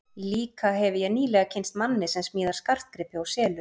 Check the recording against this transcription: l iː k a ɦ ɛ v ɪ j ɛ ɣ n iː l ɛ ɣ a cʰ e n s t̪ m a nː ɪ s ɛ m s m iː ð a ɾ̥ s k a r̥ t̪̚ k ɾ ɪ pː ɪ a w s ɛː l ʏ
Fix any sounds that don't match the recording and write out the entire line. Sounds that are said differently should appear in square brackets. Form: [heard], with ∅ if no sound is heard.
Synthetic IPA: l iː k a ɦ ɛ v ɪ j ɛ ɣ n iː l ɛ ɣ a cʰ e n s t̪ m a nː ɪ s ɛ m s m iː ð a ɾ̥ s k a r̥ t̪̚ k ɾ ɪ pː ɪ a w s ɛː l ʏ